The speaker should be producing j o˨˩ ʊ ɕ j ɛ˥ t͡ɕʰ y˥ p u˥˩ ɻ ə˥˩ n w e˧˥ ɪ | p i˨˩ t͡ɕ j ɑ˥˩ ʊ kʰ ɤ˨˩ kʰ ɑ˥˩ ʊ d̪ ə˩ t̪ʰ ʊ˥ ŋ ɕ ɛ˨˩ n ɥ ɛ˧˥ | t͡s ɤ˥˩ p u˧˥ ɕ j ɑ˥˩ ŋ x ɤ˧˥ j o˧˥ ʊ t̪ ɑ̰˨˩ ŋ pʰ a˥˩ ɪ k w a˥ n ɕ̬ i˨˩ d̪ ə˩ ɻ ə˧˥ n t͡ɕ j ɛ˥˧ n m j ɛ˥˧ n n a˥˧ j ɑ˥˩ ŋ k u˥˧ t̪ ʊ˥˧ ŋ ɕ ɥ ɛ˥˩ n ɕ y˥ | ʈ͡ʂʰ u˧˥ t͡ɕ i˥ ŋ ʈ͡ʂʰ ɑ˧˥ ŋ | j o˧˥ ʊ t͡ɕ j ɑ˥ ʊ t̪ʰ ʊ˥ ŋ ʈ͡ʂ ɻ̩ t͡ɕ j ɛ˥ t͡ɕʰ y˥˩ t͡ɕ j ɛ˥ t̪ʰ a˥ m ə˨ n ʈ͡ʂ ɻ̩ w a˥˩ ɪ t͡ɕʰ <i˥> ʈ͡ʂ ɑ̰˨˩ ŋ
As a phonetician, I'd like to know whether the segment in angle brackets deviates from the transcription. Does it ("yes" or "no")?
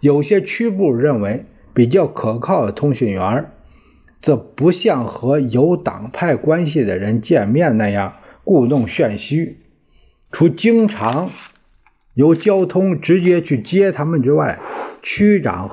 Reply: yes